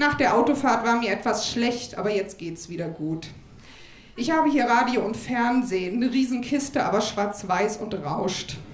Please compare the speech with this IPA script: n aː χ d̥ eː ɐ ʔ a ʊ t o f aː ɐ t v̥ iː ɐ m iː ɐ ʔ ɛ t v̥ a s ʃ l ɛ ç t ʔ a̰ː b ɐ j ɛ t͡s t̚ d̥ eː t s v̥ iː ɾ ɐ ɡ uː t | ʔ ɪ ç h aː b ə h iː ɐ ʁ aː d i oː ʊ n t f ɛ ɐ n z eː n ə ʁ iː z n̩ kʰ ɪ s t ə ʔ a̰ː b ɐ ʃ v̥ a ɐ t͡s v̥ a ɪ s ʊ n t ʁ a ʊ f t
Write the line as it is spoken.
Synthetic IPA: n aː χ d̥ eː ɐ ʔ a ʊ t o f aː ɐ t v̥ aː ɐ m iː ɐ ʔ ɛ t v̥ a s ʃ l ɛ ç t ʔ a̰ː b ɐ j ɛ t͡s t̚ ɡ̥ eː t s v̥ iː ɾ ɐ ɡ uː t | ʔ ɪ ç h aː b ə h iː ɐ ʁ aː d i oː ʊ n t f ɛ ɐ n z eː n ə ʁ iː z n̩ kʰ ɪ s t ə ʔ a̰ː b ɐ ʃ v̥ a ɐ t͡s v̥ a ɪ s ʊ n t ʁ a ʊ ʃ t